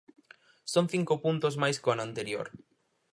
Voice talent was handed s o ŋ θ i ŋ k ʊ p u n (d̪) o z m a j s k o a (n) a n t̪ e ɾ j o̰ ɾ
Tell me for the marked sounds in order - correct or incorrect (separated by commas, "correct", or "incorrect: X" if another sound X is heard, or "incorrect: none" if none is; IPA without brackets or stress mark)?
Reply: incorrect: t̪, correct